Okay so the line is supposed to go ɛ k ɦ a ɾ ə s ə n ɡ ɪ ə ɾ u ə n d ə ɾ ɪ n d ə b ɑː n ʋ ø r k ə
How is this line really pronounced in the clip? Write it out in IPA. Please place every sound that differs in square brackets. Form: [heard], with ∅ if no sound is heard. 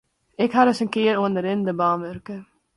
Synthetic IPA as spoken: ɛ k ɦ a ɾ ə s ə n [k] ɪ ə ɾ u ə n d ə ɾ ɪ n d ə b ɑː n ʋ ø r k ə